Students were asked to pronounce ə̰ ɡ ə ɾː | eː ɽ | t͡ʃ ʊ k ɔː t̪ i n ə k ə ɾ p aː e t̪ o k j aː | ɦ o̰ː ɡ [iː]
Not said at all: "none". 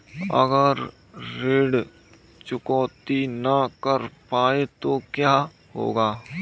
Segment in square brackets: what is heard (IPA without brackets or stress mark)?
aː